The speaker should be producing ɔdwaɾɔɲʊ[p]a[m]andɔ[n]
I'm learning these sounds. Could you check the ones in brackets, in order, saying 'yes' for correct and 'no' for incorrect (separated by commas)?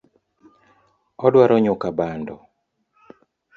no, no, no